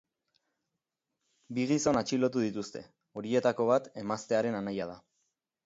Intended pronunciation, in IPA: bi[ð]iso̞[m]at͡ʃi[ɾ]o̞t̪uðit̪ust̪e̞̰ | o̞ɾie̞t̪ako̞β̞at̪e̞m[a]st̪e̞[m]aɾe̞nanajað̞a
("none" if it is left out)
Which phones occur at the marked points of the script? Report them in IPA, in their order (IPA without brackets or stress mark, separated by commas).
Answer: ɣ, n, l, a, none